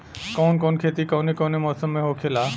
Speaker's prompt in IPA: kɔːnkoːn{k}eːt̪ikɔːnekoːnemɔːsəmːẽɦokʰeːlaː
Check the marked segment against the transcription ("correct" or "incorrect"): incorrect